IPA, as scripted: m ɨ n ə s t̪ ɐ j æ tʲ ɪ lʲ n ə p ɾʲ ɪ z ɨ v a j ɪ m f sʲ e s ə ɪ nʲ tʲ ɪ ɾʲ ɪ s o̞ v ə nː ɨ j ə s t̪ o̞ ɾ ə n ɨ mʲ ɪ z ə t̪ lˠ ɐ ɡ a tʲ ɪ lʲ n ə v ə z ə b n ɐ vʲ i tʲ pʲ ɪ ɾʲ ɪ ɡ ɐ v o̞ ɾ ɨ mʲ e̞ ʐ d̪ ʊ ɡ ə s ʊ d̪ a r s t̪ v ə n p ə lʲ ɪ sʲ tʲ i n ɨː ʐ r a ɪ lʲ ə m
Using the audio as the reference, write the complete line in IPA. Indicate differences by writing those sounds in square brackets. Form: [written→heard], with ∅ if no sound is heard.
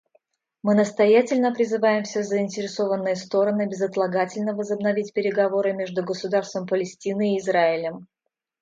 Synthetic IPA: m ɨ n ə s t̪ ɐ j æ tʲ ɪ lʲ n ə p ɾʲ ɪ z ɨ v a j ɪ m f sʲ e [s→z] ə ɪ nʲ tʲ ɪ ɾʲ ɪ s o̞ v ə nː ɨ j ə s t̪ o̞ ɾ ə n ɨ [mʲ→bʲ] ɪ z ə t̪ lˠ ɐ ɡ a tʲ ɪ lʲ n ə v ə z ə b n ɐ vʲ i tʲ pʲ ɪ ɾʲ ɪ ɡ ɐ v o̞ ɾ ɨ mʲ e̞ ʐ d̪ ʊ ɡ ə s ʊ d̪ a r s t̪ v ə [n→m] p ə lʲ ɪ sʲ tʲ i n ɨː [ʐ→z] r a ɪ lʲ ə m